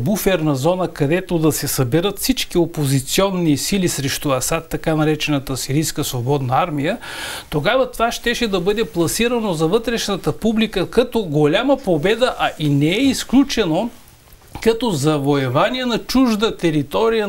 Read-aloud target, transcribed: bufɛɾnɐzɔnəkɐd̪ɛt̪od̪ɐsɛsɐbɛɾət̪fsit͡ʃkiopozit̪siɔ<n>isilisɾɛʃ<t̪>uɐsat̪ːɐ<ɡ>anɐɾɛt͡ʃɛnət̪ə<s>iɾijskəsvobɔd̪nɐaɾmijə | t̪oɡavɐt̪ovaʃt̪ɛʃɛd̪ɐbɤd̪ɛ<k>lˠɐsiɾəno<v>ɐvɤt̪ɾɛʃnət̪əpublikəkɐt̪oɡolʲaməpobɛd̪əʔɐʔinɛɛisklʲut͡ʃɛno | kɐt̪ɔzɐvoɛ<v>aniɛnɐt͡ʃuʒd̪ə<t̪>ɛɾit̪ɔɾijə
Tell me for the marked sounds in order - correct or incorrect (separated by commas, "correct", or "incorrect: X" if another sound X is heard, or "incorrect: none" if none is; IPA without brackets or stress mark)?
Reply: incorrect: nː, correct, incorrect: k, correct, incorrect: p, incorrect: z, correct, correct